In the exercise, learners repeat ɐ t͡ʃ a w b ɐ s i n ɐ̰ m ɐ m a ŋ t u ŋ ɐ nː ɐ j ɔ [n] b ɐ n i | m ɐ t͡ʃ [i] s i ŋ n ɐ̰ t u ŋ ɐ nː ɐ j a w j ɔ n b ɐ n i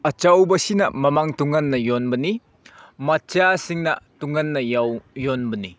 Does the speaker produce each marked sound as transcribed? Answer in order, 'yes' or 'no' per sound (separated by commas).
yes, no